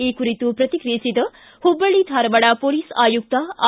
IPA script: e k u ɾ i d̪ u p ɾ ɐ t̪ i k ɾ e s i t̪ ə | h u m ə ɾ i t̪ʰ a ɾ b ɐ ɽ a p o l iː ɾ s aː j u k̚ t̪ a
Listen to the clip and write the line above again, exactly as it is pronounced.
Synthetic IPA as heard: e k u ɾ i t̪ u p ɾ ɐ t̪ i k ɾ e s i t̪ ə | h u b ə ɭ i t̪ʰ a ɾ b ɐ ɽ a p o l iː s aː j u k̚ t̪ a